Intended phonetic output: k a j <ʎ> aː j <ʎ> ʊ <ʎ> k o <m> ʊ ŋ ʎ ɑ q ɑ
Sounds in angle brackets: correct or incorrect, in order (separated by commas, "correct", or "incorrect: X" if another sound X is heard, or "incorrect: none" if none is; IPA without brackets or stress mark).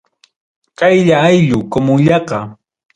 correct, correct, incorrect: none, correct